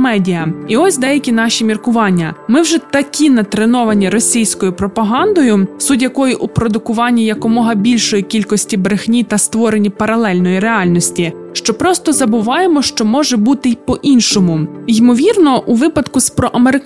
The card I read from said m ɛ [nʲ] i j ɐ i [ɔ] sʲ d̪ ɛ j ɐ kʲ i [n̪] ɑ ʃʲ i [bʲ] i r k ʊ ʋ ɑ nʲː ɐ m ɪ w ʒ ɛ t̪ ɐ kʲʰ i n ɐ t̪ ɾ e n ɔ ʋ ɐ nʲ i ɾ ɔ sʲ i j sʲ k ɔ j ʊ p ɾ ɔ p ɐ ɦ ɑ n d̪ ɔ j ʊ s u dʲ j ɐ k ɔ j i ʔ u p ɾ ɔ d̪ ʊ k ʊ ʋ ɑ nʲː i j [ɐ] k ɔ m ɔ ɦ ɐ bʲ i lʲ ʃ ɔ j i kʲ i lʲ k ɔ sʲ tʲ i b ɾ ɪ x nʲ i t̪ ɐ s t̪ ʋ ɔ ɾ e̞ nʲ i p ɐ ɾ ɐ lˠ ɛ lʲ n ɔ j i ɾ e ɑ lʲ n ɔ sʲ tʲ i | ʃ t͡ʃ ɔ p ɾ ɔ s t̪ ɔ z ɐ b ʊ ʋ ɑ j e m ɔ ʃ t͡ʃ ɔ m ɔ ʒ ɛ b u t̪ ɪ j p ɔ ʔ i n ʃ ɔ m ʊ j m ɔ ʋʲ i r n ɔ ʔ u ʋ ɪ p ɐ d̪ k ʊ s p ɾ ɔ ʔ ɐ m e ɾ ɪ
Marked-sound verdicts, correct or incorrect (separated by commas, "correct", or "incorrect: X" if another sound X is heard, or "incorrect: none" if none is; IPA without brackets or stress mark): incorrect: dʲ, correct, correct, incorrect: mʲ, correct